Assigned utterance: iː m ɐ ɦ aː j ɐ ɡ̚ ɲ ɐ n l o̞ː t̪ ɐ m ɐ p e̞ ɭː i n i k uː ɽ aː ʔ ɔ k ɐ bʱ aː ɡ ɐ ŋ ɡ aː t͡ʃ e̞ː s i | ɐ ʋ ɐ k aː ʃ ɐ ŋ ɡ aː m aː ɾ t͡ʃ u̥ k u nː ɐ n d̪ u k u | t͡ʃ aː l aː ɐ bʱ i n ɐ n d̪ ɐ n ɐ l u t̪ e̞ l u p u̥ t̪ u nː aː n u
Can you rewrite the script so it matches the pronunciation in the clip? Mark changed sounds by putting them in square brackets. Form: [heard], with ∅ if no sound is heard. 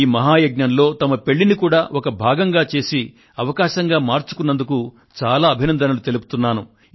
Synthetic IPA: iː m ɐ ɦ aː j ɐ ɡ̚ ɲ ɐ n l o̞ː t̪ ɐ m ɐ p e̞ ɭː i n i k uː ɽ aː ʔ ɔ k ɐ bʱ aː ɡ ɐ ŋ ɡ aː t͡ʃ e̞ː s i | ɐ ʋ ɐ k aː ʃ ɐ ŋ ɡ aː m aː ɾ t͡ʃ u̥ k u nː ɐ n d̪ u k u | t͡ʃ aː l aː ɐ bʱ i n ɐ n d̪ ɐ n ɐ l u t̪ e̞ l u p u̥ t̪ u nː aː n u